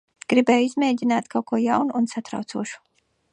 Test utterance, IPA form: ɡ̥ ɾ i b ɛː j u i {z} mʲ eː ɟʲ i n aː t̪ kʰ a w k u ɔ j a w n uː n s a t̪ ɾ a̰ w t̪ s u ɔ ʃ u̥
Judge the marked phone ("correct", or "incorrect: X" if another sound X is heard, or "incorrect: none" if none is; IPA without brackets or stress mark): correct